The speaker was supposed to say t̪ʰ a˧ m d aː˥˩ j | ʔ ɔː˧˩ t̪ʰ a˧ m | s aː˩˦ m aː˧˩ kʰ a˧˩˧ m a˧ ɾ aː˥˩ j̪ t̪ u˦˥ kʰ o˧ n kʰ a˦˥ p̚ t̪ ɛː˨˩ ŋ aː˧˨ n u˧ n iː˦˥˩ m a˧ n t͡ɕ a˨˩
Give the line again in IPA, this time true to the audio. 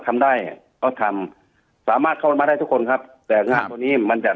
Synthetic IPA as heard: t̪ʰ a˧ m d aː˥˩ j | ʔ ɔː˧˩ t̪ʰ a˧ m | s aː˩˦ m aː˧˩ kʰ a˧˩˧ m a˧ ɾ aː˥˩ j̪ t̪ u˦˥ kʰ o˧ n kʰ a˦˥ p̚ t̪ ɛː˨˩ ŋ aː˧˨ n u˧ n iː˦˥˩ m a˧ n t͡ɕ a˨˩